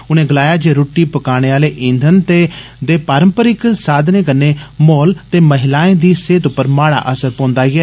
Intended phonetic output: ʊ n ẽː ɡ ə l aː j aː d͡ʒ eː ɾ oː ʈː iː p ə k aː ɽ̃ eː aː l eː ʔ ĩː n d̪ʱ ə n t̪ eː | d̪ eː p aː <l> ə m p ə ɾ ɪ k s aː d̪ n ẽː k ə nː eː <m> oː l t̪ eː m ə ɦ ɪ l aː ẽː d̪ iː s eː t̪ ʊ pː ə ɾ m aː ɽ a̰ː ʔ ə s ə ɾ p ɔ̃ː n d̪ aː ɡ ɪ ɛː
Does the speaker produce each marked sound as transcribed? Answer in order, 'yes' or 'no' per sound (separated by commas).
no, yes